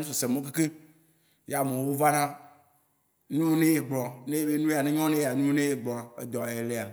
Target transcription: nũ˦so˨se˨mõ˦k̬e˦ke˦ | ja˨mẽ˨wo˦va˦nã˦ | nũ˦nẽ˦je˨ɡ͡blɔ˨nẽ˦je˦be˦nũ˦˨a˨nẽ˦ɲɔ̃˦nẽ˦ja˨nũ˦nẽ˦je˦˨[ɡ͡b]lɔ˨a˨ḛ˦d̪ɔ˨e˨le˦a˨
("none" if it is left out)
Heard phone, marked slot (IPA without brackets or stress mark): ɡ͡b